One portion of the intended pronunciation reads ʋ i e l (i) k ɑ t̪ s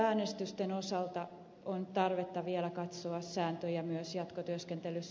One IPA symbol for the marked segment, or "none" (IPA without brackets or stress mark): æ